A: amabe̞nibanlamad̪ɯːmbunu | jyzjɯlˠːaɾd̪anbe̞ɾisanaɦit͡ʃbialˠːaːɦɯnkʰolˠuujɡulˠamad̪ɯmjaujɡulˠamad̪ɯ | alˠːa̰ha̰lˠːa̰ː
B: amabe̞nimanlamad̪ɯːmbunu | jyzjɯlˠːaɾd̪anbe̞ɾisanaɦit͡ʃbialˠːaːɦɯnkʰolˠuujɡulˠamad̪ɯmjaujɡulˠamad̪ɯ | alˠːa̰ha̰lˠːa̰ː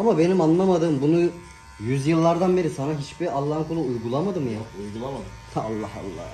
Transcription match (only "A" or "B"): B